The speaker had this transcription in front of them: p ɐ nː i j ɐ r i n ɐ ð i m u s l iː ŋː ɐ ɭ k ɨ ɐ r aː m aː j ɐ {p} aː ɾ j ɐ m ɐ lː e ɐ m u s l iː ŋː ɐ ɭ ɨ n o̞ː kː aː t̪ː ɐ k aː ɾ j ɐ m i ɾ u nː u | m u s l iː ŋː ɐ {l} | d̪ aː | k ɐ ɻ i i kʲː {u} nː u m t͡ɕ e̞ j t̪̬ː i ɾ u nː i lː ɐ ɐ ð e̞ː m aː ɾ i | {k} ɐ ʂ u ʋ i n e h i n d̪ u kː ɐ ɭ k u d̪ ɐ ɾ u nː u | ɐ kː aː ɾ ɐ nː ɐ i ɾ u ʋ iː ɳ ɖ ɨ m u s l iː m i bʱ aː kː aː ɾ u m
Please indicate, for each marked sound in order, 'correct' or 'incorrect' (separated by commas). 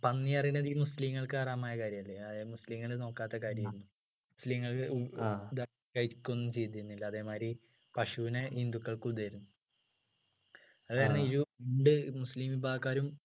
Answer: incorrect, incorrect, incorrect, incorrect